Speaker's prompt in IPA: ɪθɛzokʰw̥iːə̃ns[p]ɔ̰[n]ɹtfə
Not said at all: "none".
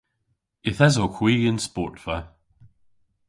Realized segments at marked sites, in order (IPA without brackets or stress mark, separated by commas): p, none